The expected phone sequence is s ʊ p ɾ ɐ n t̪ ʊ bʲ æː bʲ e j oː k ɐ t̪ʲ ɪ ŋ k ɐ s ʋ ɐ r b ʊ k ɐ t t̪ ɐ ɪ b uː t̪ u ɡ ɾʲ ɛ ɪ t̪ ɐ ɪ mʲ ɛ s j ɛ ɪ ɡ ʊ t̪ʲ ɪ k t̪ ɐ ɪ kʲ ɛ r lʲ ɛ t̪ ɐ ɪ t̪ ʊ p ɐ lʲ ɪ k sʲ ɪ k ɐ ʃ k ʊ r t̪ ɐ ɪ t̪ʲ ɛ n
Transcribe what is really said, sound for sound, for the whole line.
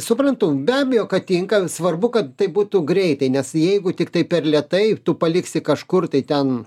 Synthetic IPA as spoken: s ʊ p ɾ ɐ n t̪ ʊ bʲ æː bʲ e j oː k ɐ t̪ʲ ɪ ŋ k ɐ s ʋ ɐ r b ʊ k ɐ t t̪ ɐ ɪ b uː t̪ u ɡ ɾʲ ɛ ɪ t̪ ɐ ɪ nʲ ɛ s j ɛ ɪ ɡ ʊ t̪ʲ ɪ k t̪ ɐ ɪ pʲ ɛ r lʲ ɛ t̪ ɐ ɪ t̪ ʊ p ɐ lʲ ɪ k sʲ ɪ k ɐ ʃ k ʊ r t̪ ɐ ɪ t̪ʲ ɛ n